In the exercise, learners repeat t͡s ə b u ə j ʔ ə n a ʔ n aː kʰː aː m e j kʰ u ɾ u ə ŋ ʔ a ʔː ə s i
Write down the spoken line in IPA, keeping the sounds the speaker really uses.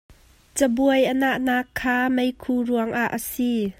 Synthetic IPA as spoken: t͡s ə b u ə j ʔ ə n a ʔ n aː kʰː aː m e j kʰ u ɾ u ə ŋ ʔ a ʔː ə s i